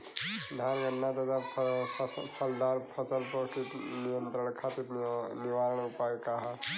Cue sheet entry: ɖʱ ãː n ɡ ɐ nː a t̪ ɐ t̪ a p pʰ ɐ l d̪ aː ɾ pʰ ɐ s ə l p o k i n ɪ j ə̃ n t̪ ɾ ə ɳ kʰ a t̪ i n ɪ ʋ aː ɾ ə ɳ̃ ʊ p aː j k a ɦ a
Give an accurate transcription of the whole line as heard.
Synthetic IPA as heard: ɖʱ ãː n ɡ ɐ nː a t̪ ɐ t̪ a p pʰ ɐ l d̪ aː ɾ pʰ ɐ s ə l p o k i n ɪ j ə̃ n t̪ ɾ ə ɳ kʰ a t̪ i n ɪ ʋ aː ɾ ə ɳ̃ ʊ p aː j k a ɦ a